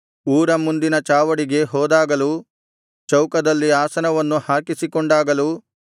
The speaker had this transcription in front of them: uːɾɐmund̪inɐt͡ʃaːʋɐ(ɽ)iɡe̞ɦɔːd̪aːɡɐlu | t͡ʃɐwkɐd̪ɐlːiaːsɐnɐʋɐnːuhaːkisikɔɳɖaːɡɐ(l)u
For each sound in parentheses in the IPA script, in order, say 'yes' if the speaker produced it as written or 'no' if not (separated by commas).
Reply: yes, yes